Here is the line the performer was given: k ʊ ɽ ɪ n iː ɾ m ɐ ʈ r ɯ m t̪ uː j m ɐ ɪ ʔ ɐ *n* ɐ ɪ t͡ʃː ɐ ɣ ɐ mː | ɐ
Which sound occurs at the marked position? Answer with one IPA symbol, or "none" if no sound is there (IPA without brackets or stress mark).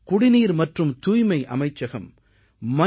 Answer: m